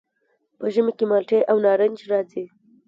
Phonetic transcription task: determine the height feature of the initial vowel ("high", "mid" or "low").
mid